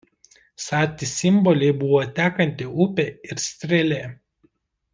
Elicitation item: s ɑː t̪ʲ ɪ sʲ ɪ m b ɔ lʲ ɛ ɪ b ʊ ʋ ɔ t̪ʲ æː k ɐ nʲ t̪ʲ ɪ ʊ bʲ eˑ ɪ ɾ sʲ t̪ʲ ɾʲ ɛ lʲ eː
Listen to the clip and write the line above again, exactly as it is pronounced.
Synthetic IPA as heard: s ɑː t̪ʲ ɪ sʲ ɪ m b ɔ lʲ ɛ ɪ b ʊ ʋ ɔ t̪ʲ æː k ɐ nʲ t̪ʲ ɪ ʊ pʲ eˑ ɪ ɾ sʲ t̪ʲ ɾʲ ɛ lʲ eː